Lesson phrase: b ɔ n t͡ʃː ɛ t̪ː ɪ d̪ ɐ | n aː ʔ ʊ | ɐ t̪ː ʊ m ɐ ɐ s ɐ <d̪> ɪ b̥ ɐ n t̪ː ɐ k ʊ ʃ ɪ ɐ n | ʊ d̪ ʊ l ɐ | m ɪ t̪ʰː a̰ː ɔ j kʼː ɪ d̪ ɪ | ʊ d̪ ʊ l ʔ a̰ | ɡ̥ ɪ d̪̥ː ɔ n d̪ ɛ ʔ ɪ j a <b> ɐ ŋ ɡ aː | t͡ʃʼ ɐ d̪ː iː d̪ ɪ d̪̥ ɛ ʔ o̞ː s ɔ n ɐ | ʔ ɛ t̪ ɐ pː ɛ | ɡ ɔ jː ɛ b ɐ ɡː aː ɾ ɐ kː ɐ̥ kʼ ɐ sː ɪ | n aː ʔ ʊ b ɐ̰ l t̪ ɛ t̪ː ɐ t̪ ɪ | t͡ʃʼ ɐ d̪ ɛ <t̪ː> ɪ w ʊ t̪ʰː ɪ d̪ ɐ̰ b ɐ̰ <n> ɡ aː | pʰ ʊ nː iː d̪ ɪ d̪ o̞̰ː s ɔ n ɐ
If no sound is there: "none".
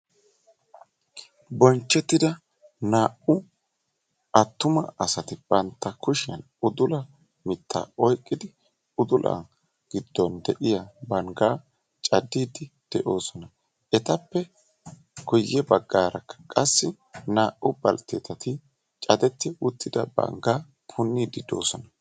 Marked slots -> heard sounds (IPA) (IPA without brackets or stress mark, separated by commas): t̪, b, t̪ː, ŋ